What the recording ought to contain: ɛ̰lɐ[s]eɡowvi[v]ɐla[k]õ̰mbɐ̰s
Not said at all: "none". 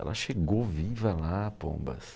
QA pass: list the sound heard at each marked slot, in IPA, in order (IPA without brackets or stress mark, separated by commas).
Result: ʃ, v, p